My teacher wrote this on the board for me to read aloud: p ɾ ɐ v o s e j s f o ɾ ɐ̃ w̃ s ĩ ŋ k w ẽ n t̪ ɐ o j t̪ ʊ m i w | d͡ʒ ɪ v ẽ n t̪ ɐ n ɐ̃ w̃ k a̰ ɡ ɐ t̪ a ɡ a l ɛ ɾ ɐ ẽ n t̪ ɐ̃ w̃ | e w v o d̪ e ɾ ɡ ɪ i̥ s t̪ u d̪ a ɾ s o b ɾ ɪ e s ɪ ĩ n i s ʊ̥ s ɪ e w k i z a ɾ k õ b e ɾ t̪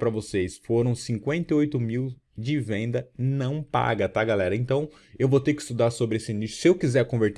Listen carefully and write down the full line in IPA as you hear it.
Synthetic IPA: p ɾ ɐ v o s e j s f o ɾ ɐ̃ w̃ s ĩ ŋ k w ẽ n t̪ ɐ o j t̪ ʊ m i w | d͡ʒ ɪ v ẽ n d̪ ɐ n ɐ̃ w̃ p a̰ ɡ ɐ t̪ a ɡ a l ɛ ɾ ɐ ẽ n t̪ ɐ̃ w̃ | e w v o t̪ e ɾ k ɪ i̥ s t̪ u d̪ a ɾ s o b ɾ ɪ e s ɪ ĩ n i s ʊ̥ s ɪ e w k i z ɛ ɾ k õ v e ɾ t̪